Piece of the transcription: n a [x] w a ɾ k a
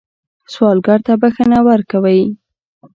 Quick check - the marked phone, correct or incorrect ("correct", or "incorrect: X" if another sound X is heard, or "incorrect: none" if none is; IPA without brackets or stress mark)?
incorrect: none